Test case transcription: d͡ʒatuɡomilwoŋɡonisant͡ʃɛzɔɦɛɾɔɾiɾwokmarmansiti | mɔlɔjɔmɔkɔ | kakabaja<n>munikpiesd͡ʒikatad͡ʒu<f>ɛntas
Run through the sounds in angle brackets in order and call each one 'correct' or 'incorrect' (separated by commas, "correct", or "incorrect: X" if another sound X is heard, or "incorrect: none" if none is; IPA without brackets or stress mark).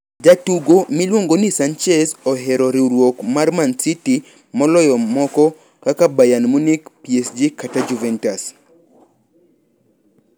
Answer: correct, incorrect: v